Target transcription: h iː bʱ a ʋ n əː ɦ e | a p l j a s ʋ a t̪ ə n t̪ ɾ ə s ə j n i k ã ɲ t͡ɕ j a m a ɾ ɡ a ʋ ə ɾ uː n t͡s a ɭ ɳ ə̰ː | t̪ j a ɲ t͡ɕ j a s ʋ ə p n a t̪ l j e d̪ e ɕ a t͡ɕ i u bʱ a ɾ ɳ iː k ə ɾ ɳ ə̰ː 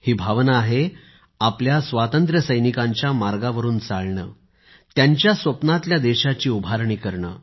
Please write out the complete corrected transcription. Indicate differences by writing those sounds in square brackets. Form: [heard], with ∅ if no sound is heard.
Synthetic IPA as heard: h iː bʱ a ʋ n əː ɦ e | a p l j a s ʋ a t̪ ə n t̪ ɾ ə s ə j n i k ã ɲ t͡ɕ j a m a ɾ ɡ a ʋ ə ɾ uː n t͡s a ɭ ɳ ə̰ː | t̪ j a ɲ t͡ɕ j a s ʋ ə p n a t̪ l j [a] d̪ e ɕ a t͡ɕ [iː] u bʱ a ɾ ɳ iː k ə ɾ ɳ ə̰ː

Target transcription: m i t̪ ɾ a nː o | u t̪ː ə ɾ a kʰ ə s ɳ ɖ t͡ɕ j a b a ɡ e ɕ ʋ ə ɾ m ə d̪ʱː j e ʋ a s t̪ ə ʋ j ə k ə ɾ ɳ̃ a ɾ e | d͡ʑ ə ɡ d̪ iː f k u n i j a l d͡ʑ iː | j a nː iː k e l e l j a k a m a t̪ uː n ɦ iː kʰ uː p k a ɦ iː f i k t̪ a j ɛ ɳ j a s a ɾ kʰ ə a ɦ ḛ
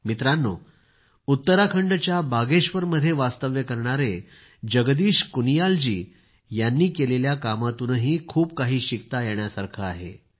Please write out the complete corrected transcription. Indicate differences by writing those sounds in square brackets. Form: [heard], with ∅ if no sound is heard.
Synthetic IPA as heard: m i t̪ ɾ a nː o | u t̪ː ə ɾ a kʰ ə [∅] ɳ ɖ t͡ɕ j a b a ɡ e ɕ ʋ ə ɾ m ə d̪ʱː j e ʋ a s t̪ ə ʋ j ə k ə ɾ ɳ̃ a ɾ e | d͡ʑ ə ɡ d̪ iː [ɕ] k u n i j a l d͡ʑ iː | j a nː iː k e l e l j a k a m a t̪ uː n ɦ iː kʰ uː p k a ɦ iː [ɕ] i k t̪ a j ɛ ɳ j a s a ɾ kʰ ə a ɦ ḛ

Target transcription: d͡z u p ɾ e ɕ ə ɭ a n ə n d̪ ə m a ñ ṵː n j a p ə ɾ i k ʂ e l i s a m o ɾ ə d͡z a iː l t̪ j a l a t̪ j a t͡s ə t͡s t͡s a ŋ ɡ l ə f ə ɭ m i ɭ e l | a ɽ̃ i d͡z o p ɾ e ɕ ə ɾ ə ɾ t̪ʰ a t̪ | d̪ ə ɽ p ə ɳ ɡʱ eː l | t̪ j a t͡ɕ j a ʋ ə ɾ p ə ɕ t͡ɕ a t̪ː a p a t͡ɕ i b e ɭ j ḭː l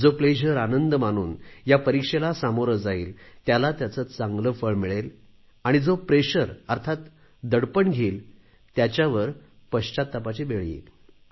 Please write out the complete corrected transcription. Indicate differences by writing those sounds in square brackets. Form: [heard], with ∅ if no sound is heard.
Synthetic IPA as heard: d͡z [o] p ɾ e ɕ ə [ɾ] a n ə n d̪ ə m a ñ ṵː n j a p ə ɾ i k ʂ e l [a] s a m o ɾ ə d͡z a iː l t̪ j a l a t̪ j a t͡s ə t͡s t͡s a ŋ ɡ l ə f ə ɭ m i ɭ e l | a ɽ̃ i d͡z o p ɾ e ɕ ə ɾ ə ɾ t̪ʰ a t̪ | d̪ ə ɽ p ə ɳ ɡʱ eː l | t̪ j a t͡ɕ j a ʋ ə ɾ p ə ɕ t͡ɕ a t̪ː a p a t͡ɕ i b e ɭ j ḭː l

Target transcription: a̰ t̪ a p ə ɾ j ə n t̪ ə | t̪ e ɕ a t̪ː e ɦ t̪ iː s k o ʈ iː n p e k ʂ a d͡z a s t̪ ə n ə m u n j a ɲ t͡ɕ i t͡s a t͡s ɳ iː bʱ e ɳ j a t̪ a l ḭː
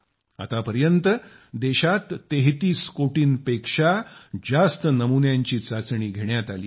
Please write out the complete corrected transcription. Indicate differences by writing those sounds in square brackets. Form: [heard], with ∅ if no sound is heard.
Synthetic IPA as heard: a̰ t̪ a p ə ɾ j ə n t̪ ə | [d̪] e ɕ a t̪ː e ɦ t̪ iː s k o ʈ iː n p e k ʂ a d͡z a s t̪ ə n ə m u n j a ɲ t͡ɕ [iː] t͡s a t͡s ɳ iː [ɡʱ] e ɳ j a t̪ a l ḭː

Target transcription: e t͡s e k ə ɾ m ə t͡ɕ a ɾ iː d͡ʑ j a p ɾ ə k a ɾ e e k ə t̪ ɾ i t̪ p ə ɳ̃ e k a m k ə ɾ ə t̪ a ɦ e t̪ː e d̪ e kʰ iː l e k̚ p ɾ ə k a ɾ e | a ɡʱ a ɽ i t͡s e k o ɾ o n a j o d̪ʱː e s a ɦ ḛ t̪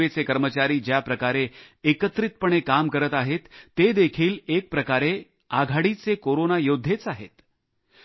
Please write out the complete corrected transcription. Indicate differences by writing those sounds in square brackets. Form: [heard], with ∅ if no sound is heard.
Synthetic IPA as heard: e t͡s e k ə ɾ m ə t͡ɕ a ɾ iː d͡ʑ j a p ɾ ə k a ɾ e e k ə t̪ ɾ i t̪ p ə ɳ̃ e k a m k ə ɾ ə t̪ a ɦ e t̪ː e d̪ e kʰ iː l e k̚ p ɾ ə k a ɾ e | a ɡʱ a ɽ i t͡s e k o ɾ o n a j o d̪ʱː e [t͡s] a ɦ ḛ t̪

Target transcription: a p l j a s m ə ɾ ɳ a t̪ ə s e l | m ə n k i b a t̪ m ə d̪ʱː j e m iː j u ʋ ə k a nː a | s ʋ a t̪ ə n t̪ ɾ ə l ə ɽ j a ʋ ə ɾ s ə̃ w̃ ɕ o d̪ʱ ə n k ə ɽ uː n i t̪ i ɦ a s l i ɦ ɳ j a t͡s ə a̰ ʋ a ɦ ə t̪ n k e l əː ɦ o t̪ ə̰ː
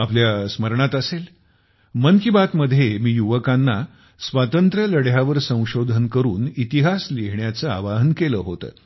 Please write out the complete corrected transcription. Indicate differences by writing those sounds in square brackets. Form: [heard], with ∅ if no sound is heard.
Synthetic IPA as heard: a p l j a s m ə ɾ ɳ a t̪ ə s e l | m ə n k i b a t̪ m ə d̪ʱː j e m iː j u ʋ ə k a nː a | s ʋ a t̪ ə n t̪ ɾ ə l ə ɽ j a ʋ ə ɾ s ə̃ w̃ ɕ o d̪ʱ ə n k ə [ɾ] uː n i t̪ i ɦ a s l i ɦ ɳ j a t͡s ə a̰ ʋ a ɦ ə [∅] n k e l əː ɦ o t̪ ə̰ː

